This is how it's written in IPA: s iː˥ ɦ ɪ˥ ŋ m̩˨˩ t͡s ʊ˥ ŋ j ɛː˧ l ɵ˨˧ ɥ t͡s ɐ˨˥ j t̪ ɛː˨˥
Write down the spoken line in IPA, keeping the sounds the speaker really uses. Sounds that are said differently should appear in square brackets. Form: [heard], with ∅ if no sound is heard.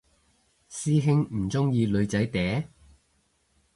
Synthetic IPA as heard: s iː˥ ɦ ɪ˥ ŋ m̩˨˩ t͡s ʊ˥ ŋ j [iː˧] l ɵ˨˧ ɥ t͡s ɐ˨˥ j t̪ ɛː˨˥